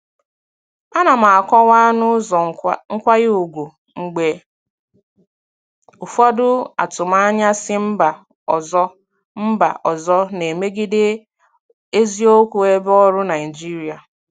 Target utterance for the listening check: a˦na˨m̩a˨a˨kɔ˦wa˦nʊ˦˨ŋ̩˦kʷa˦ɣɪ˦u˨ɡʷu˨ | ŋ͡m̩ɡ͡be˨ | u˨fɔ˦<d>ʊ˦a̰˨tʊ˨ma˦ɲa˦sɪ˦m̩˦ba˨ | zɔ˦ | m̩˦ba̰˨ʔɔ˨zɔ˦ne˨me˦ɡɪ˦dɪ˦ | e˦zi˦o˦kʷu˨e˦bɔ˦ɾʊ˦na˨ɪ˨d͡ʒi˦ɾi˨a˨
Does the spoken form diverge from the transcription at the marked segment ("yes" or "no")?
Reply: no